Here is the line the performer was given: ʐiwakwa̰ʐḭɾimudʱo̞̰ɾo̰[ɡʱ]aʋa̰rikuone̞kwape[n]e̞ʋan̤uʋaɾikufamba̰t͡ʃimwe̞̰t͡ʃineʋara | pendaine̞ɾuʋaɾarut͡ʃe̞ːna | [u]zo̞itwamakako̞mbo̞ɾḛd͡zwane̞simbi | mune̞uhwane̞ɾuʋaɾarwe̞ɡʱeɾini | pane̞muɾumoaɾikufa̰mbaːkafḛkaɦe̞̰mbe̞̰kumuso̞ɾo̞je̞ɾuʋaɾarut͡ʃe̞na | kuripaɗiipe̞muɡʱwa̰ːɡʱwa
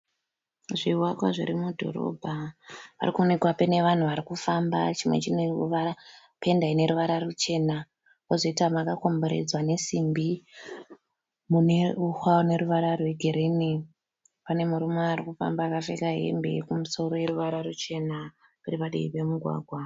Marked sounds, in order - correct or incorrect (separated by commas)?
incorrect, correct, incorrect